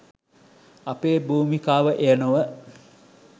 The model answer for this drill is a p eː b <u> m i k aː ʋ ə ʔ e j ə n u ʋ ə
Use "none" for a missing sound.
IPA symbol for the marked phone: uː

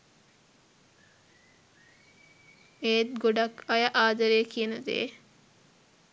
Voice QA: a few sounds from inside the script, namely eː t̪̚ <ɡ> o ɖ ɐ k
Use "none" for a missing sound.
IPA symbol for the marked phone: ɡ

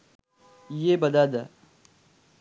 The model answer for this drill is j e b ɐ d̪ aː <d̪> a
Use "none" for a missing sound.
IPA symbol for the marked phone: d̪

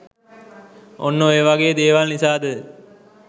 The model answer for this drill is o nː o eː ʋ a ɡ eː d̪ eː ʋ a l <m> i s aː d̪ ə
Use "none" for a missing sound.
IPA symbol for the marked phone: n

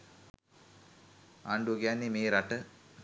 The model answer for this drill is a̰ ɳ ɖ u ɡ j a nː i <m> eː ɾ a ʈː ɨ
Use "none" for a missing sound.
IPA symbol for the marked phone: m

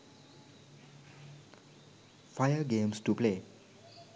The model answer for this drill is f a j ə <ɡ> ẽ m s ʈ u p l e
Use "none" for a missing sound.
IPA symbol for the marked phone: ɡ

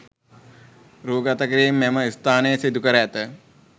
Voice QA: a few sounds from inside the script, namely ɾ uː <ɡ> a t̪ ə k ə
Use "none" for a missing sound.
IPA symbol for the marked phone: ɡ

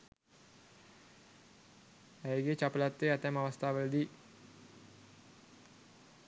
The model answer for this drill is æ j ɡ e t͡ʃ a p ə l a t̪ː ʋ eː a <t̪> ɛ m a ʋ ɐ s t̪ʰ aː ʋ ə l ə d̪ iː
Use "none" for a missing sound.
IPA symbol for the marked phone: t̪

